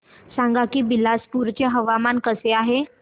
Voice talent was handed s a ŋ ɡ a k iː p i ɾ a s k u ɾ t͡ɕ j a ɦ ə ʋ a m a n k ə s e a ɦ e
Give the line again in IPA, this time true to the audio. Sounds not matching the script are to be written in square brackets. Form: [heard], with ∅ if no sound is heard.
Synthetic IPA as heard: s a ŋ ɡ a k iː [b] i [l] a s [p] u ɾ t͡ɕ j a ɦ ə ʋ a m a n k ə s e a ɦ e